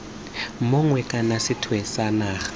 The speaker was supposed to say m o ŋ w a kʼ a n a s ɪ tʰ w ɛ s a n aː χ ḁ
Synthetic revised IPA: m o ŋ w ɛ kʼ a n a s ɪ tʰ w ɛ s a n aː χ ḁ